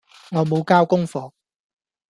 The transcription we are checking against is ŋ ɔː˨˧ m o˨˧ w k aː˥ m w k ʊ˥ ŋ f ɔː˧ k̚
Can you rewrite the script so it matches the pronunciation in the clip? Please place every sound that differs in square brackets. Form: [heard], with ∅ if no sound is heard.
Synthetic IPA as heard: ŋ ɔː˨˧ m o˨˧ w k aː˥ [∅] w k ʊ˥ ŋ f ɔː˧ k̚